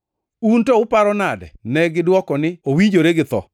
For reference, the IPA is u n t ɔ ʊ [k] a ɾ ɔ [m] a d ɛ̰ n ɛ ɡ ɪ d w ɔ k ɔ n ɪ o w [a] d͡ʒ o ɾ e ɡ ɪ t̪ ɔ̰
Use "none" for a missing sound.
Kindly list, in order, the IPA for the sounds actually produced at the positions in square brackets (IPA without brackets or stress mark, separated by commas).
p, n, i